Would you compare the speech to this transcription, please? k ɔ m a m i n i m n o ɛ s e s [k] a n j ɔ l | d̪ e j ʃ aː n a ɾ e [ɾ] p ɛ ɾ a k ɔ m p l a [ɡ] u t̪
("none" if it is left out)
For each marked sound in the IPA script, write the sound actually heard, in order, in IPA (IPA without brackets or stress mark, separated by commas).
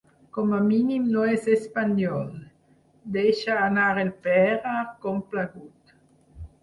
p, l, ɡ